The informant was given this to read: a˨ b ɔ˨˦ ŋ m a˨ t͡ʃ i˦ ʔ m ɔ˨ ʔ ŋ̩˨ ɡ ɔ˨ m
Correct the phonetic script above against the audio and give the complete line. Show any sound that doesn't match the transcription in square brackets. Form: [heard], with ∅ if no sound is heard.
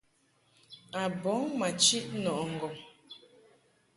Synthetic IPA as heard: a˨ b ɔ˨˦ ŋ m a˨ t͡ʃ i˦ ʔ [n] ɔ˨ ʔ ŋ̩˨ ɡ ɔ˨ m